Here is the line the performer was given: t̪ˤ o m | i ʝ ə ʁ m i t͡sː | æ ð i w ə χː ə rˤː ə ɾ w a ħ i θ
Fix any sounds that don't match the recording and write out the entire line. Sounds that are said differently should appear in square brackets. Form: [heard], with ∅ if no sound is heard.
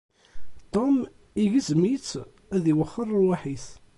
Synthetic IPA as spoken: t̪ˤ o m | i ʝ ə [z] m i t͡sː | æ ð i w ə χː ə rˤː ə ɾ w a ħ i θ